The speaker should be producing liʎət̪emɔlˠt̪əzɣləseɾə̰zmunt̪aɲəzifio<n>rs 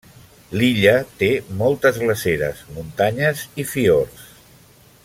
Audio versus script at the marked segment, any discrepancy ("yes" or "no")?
yes